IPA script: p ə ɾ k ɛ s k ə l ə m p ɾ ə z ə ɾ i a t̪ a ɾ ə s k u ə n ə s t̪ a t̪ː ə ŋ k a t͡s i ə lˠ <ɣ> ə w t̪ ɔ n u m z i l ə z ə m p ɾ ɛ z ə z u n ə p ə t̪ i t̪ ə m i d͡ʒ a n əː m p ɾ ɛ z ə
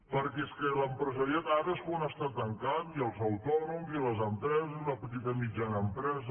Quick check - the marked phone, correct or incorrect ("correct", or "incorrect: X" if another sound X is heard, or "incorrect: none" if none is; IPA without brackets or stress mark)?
incorrect: z